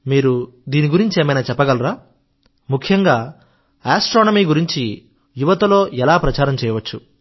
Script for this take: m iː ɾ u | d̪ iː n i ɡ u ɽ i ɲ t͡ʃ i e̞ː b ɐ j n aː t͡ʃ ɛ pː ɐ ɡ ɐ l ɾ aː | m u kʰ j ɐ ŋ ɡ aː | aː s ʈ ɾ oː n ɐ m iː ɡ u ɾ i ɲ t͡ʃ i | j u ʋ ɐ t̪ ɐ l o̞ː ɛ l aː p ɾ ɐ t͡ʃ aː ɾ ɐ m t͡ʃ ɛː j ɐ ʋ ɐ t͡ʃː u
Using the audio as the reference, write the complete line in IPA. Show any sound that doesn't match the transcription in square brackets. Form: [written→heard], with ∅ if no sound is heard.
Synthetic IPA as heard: m iː ɾ u | d̪ iː n i ɡ u [ɽ→ɾ] i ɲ t͡ʃ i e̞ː [b→m] ɐ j n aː t͡ʃ ɛ pː ɐ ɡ ɐ l ɾ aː | m u kʰ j ɐ ŋ ɡ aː | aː s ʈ ɾ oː n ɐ m iː ɡ u ɾ i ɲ t͡ʃ i | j u ʋ ɐ t̪ ɐ l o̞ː ɛ l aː p ɾ ɐ t͡ʃ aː ɾ ɐ m t͡ʃ ɛː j ɐ ʋ ɐ t͡ʃː u